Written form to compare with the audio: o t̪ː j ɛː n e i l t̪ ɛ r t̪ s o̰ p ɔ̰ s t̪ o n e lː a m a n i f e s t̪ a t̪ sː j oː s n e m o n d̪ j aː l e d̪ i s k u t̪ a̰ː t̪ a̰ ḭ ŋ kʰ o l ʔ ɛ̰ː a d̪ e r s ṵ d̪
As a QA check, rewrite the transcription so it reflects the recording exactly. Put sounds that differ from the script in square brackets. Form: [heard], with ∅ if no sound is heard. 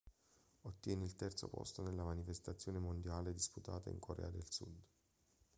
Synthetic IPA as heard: o t̪ː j ɛː n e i l t̪ ɛ r t̪ s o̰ p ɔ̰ s t̪ o n e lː a m a n i f e s t̪ a t̪ sː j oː [∅] n e m o n d̪ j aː l e d̪ i s [p] u t̪ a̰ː t̪ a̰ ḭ ŋ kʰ o [ɾ] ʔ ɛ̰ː a d̪ e [l] s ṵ d̪